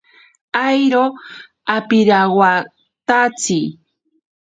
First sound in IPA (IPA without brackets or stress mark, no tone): a